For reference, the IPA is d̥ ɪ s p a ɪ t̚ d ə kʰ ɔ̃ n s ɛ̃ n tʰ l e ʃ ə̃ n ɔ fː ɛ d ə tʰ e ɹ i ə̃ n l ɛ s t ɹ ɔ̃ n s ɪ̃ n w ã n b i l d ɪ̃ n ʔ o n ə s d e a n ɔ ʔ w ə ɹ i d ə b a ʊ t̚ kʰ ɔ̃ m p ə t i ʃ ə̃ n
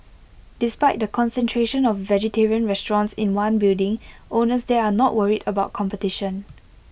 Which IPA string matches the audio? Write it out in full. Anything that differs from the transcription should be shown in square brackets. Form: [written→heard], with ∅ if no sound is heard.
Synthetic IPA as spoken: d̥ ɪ s p a ɪ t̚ d ə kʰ ɔ̃ n s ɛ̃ n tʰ [l→ɹ] e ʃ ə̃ n ɔ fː ɛ [d→d͡ʒ] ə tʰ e ɹ i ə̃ n [l→ɹ] ɛ s t ɹ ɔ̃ n s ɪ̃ n w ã n b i l d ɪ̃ [n→ŋ] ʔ o n ə s d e a n ɔ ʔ w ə ɹ i d ə b a ʊ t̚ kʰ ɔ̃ m p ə t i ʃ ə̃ n